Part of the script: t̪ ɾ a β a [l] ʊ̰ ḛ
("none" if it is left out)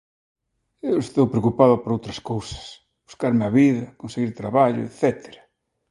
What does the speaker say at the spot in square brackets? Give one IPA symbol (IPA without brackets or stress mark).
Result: ʎ